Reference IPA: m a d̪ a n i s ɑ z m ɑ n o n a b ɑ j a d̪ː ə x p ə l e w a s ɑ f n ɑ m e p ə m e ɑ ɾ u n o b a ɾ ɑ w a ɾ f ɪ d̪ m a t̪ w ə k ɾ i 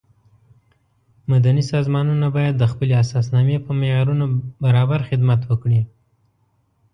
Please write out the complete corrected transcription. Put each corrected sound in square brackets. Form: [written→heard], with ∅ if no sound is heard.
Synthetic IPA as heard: m a d̪ a n i s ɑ z m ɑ n [o→u] n a b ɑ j a d̪ː ə x p ə l e [w→∅] a s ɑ [f→s] n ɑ m e p ə m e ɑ ɾ u n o b a ɾ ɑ [w→b] a ɾ [f→x] ɪ d̪ m a t̪ w ə k [ɾ→ɽ] i